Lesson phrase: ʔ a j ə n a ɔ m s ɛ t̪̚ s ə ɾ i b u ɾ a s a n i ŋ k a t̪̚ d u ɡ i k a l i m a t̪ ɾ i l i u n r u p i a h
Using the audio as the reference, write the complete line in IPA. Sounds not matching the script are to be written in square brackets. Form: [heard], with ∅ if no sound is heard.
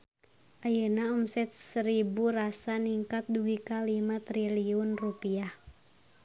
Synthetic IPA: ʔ a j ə n a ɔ m s ɛ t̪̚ s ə ɾ i b u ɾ a s a n i ŋ k a t̪̚ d u ɡ i k a l i m a t̪ ɾ i l i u n r u p i a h